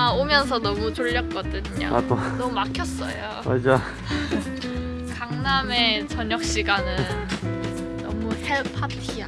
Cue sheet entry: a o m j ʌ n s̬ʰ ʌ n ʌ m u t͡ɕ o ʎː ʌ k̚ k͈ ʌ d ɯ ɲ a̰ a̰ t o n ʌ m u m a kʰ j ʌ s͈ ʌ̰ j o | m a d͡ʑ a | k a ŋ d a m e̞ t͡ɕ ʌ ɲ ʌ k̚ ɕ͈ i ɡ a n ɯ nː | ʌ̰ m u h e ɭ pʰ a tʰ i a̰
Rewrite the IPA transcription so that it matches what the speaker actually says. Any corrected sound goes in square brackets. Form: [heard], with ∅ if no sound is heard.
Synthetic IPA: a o m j ʌ n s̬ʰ ʌ n ʌ m u t͡ɕ o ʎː ʌ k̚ k͈ ʌ d ɯ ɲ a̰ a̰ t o n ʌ m u m a kʰ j ʌ s͈ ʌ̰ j o | m a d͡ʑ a | k a ŋ [n] a m e̞ t͡ɕ ʌ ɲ ʌ k̚ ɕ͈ i ɡ a n ɯ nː | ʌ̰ m u h e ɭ pʰ a tʰ i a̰

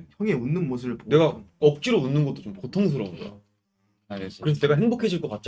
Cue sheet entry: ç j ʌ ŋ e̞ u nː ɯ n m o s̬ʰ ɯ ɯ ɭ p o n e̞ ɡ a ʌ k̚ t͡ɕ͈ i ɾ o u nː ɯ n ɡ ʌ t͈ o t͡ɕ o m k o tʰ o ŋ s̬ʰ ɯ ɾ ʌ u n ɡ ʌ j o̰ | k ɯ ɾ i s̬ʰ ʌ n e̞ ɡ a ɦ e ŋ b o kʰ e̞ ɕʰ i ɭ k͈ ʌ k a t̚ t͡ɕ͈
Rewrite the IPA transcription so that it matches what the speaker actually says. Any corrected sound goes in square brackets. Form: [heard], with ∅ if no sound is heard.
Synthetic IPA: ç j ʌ ŋ e̞ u nː ɯ n m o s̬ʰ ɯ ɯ ɭ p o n e̞ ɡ a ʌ k̚ t͡ɕ͈ i ɾ o u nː ɯ n ɡ ʌ t͈ o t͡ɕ o m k o tʰ o ŋ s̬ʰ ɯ ɾ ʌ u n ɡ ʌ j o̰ | k ɯ ɾ [e] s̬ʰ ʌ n e̞ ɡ a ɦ e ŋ b o kʰ e̞ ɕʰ i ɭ k͈ ʌ k a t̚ t͡ɕ͈

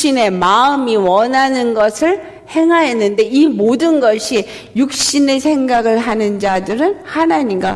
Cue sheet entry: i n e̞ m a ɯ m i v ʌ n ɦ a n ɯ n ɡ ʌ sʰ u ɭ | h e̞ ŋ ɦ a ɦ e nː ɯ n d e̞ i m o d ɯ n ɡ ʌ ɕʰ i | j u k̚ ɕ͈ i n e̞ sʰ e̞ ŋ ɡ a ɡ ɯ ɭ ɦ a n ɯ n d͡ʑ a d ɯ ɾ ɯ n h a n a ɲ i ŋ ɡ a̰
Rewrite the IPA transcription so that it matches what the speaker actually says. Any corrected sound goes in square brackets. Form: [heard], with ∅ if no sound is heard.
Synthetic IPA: i n e̞ m a ɯ m i [w] ʌ n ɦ a n ɯ n ɡ ʌ sʰ [ɯ] ɭ | h e̞ ŋ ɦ a ɦ e nː ɯ n d e̞ i m o d ɯ n ɡ ʌ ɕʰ i | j u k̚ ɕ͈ i n e̞ sʰ e̞ ŋ ɡ a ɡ ɯ ɭ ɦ a n ɯ n d͡ʑ a d ɯ ɾ ɯ n h a n a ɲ i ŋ ɡ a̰

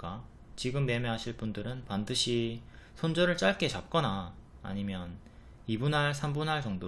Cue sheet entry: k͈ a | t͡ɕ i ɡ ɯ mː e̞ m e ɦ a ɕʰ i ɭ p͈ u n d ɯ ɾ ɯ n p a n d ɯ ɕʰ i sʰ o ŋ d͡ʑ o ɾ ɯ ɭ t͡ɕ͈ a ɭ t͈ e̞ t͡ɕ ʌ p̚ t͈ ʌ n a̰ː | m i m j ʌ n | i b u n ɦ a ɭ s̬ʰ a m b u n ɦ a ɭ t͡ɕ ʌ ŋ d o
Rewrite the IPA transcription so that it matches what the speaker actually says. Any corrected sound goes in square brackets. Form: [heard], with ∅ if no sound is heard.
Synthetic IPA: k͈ a | t͡ɕ i ɡ ɯ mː e̞ m e ɦ a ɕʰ i ɭ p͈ u n d ɯ ɾ ɯ n p a n d ɯ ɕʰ i sʰ o [n] d͡ʑ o ɾ ɯ ɭ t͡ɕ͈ a ɭ [k͈] e̞ t͡ɕ [a] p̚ [k͈] ʌ n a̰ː | [ɲ] i m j ʌ n | i b u n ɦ a ɭ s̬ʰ a m b u n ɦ a ɭ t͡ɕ ʌ ŋ d o

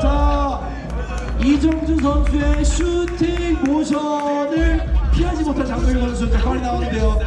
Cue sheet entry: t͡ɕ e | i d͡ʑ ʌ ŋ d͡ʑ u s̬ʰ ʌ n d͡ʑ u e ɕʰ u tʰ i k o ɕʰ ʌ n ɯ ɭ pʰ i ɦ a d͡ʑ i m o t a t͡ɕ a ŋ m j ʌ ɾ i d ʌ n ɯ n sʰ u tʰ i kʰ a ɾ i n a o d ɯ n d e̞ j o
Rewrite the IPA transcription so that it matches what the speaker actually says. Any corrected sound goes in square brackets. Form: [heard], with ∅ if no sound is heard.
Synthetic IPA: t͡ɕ [a] | i d͡ʑ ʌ ŋ d͡ʑ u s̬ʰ ʌ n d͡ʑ u e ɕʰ u tʰ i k o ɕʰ ʌ n ɯ ɭ pʰ i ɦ a d͡ʑ i m o [tʰ] a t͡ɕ a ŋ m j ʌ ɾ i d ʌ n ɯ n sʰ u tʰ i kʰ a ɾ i n a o [n] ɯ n d e̞ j o

